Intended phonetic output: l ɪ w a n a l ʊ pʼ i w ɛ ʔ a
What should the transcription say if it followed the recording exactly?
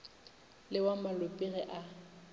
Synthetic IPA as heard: l ɪ w a m a l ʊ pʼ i ɣ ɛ ʔ a